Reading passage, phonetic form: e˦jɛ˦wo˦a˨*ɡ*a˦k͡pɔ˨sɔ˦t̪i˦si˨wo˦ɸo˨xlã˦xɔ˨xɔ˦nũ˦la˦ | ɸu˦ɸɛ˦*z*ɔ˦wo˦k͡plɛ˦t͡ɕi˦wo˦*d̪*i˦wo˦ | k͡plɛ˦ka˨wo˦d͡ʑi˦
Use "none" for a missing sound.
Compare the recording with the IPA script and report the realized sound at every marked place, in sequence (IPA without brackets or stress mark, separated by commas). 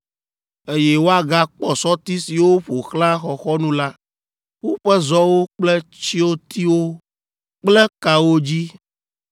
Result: ɡ, z, t̪